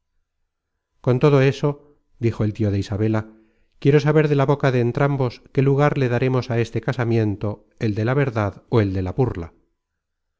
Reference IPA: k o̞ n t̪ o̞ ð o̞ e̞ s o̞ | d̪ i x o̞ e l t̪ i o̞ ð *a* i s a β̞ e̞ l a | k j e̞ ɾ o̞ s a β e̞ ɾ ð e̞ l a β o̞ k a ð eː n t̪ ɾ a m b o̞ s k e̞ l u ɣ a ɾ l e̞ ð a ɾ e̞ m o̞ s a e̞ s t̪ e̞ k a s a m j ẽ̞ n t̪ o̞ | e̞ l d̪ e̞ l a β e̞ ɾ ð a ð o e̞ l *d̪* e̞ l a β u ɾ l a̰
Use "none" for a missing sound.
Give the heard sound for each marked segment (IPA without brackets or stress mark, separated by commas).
e, d̪